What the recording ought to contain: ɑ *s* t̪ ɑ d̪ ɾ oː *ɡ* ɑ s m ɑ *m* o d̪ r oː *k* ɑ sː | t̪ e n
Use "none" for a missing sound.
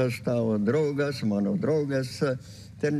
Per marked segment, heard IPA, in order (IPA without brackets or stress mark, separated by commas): s, ɡ, n, ɡ